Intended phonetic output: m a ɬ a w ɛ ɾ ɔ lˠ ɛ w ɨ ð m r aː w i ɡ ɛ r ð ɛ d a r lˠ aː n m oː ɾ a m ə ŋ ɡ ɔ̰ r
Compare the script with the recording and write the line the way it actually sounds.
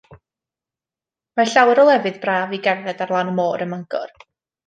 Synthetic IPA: m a ɬ a w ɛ ɾ ɔ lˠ ɛ v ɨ ð b r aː v i ɡ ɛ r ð ɛ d a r lˠ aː n m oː ɾ ə m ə ŋ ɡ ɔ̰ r